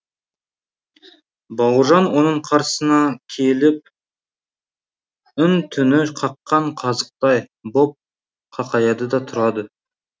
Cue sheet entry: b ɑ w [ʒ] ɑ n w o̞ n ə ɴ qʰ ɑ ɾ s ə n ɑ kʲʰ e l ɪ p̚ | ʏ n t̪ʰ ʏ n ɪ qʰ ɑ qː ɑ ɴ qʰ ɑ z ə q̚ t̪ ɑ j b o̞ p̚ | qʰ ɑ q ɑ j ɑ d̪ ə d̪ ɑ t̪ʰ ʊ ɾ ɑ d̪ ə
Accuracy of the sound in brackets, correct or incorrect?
correct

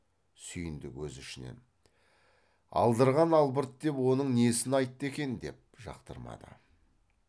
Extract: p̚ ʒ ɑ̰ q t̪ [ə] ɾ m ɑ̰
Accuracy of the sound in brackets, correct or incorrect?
correct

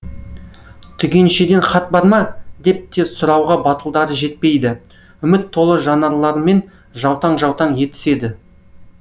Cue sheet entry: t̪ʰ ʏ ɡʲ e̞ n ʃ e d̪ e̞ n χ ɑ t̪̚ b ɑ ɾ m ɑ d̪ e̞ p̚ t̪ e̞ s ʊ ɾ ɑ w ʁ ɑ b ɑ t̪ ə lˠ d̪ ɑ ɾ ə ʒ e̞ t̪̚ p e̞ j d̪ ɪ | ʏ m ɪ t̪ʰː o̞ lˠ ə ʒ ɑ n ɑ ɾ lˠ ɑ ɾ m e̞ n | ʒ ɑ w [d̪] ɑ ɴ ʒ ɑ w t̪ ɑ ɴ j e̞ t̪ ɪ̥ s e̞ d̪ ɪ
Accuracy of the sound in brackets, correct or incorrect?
incorrect: t̪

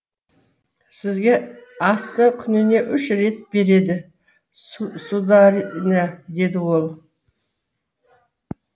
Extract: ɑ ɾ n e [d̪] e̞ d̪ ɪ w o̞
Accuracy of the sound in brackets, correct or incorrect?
correct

